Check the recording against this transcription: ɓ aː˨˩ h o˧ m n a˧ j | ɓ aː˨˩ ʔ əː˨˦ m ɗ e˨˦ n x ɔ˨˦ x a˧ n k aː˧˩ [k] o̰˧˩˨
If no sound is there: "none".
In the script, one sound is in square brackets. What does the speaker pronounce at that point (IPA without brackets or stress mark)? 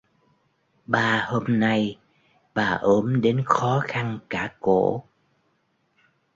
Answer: k